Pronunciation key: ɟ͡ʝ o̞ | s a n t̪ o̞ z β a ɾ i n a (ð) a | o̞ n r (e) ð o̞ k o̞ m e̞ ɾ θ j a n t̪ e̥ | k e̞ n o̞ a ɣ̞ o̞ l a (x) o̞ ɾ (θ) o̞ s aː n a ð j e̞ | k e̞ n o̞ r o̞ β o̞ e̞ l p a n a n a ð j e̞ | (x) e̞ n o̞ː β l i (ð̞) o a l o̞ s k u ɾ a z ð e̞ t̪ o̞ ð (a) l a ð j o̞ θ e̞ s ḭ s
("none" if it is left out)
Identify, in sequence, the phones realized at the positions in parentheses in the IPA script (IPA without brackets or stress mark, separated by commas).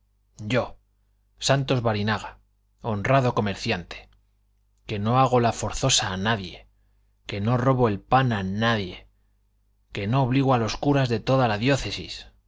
ɣ, a, f, θ, k, ɣ̞, a